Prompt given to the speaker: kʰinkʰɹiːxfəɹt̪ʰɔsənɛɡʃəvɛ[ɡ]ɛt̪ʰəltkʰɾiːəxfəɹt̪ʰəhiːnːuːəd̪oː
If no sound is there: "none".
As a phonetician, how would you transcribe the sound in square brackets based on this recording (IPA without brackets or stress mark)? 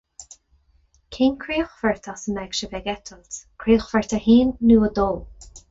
ɡ